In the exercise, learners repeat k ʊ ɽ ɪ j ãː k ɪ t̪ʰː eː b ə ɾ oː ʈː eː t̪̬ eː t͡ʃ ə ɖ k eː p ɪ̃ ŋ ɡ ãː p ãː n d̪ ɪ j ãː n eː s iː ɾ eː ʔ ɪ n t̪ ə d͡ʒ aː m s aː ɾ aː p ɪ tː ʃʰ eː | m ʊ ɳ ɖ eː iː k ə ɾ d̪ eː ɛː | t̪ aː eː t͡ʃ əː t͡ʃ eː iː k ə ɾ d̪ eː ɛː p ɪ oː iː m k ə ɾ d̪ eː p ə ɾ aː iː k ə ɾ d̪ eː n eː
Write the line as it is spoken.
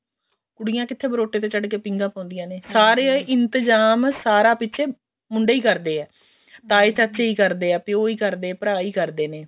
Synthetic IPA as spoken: k ʊ ɽ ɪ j ãː k ɪ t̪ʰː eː b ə ɾ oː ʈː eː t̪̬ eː t͡ʃ ə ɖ k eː p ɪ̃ ŋ ɡ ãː p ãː n d̪ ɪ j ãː n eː s aː ɾ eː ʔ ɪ n t̪ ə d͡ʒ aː m s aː ɾ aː p ɪ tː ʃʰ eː | m ʊ ɳ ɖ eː iː k ə ɾ d̪ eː ɛː | t̪ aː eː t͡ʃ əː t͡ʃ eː iː k ə ɾ d̪ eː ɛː p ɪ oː iː k ə ɾ d̪ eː p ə ɾ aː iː k ə ɾ d̪ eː n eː